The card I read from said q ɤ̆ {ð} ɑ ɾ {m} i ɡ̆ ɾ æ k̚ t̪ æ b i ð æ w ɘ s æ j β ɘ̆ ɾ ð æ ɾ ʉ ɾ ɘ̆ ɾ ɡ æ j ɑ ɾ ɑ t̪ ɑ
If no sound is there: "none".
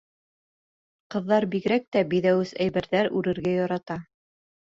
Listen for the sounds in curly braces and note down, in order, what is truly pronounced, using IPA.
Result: ðː, b

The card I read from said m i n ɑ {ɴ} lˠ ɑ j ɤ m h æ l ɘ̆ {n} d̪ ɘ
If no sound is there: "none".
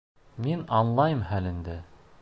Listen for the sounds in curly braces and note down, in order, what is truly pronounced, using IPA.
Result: n, n

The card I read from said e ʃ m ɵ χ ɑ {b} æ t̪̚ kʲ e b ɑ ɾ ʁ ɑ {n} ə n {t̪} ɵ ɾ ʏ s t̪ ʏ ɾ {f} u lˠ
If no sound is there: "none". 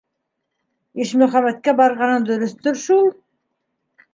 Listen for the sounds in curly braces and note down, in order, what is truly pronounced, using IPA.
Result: m, n, d̪, ʃ

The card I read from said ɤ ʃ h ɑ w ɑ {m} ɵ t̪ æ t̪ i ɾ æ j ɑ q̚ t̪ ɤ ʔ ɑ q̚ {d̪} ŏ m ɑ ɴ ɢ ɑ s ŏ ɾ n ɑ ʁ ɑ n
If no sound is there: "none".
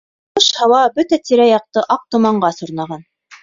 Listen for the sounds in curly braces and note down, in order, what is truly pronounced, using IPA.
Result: b, t̪

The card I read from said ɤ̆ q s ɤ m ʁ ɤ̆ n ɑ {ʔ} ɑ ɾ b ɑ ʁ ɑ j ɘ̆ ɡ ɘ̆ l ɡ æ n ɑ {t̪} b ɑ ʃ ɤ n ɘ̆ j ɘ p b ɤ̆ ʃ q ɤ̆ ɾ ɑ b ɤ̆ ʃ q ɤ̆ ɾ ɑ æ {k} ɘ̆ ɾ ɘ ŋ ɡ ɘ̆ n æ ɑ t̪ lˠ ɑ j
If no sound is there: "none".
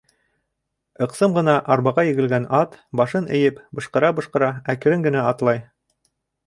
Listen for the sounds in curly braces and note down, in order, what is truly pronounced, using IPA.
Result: ʔ, t̪, k

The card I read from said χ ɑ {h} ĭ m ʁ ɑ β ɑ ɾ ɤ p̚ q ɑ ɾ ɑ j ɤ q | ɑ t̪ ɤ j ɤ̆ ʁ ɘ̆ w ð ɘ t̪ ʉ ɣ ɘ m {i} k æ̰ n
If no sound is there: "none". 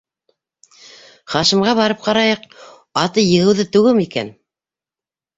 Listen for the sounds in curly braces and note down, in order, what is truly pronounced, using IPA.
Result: ʃ, i

